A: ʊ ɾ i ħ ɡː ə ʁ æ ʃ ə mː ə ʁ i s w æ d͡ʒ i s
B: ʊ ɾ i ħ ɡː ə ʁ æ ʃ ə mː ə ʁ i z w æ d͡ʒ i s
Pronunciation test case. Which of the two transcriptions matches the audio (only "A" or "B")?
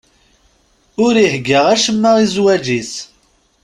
B